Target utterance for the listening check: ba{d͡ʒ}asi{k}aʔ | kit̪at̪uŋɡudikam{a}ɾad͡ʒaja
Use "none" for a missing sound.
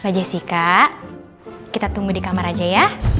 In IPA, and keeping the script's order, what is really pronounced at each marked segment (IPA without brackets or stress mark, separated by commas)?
d͡ʒ, k, a